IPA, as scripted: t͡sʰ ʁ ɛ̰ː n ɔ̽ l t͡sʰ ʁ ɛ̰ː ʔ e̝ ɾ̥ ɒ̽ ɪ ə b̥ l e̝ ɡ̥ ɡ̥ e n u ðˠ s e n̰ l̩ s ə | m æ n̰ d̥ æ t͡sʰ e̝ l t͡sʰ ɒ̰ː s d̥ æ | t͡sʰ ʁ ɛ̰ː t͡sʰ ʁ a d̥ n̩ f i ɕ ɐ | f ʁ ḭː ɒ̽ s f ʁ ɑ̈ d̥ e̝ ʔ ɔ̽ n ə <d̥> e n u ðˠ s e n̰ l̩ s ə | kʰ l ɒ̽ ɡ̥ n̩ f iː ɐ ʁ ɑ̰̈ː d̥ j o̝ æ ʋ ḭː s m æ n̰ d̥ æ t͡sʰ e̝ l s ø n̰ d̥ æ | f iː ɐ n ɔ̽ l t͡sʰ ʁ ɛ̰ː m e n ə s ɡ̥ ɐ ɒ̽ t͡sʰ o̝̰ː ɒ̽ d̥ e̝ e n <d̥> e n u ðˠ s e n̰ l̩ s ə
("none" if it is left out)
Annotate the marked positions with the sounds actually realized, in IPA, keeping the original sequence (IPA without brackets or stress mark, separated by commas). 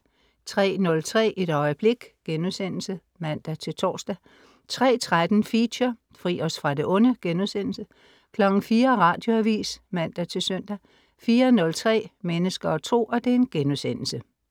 ɡ̥, ɡ̥